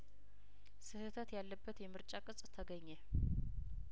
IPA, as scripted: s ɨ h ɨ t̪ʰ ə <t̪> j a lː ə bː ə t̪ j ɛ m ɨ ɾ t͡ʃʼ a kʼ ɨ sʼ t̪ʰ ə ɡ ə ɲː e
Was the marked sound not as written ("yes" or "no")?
no